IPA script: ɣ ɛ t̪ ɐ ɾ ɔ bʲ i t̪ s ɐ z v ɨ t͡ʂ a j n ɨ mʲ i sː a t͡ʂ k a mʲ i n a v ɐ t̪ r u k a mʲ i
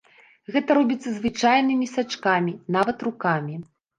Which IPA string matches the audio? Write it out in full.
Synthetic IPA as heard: ɣ ɛ t̪ ɐ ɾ ɔ bʲ i t̪ sː ɐ z v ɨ t͡ʂ a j n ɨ mʲ i s a t͡ʂ k a mʲ i n a v ɐ t̪ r u k a mʲ i